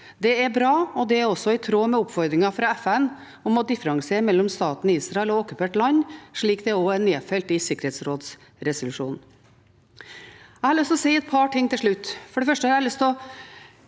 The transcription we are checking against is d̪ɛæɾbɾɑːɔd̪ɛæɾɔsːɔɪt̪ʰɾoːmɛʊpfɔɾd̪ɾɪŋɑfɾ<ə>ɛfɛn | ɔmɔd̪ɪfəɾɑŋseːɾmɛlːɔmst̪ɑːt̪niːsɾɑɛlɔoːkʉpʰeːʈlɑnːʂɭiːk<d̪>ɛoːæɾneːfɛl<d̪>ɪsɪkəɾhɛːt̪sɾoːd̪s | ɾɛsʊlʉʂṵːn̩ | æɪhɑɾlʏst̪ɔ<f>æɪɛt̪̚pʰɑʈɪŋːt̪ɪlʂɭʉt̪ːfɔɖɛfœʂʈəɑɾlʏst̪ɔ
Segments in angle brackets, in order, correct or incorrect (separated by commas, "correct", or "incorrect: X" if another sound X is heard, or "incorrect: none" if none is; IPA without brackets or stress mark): incorrect: ɑ, correct, incorrect: t̪, incorrect: s